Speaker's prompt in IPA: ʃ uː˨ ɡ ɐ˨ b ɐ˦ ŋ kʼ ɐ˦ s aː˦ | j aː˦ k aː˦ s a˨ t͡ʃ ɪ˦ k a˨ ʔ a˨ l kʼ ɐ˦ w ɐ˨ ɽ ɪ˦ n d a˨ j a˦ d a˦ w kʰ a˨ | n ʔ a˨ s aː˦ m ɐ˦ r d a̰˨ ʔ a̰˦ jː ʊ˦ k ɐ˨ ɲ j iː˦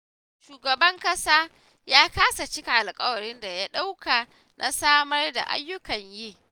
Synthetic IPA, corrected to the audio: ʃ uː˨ ɡ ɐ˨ b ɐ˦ ŋ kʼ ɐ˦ s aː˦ | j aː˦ k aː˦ s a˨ t͡ʃ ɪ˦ k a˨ ʔ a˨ l kʼ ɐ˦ w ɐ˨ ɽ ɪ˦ n d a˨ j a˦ ɗ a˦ w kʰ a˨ | n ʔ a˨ s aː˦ m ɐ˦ r d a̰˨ ʔ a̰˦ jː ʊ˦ k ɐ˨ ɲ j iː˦